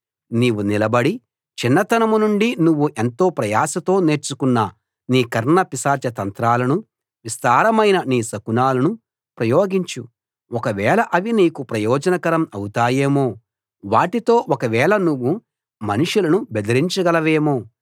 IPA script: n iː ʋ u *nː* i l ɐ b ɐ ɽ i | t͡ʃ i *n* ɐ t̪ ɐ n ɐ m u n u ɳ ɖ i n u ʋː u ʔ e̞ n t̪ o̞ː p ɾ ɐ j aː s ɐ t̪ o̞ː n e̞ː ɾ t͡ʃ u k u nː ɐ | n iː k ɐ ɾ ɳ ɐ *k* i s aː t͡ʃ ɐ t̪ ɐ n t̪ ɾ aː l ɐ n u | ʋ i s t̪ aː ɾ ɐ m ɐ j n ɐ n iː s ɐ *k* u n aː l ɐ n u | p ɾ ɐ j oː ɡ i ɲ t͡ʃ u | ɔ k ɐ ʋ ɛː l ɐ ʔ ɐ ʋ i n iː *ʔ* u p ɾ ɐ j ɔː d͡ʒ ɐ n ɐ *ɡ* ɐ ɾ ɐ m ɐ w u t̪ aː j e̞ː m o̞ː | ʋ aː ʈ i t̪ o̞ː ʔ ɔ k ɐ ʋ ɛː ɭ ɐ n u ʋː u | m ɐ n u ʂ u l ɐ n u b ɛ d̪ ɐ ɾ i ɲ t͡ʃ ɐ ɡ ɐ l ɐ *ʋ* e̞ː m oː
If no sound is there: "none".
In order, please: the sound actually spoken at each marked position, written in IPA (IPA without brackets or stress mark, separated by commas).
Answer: n, nː, p, k, k, k, ʋ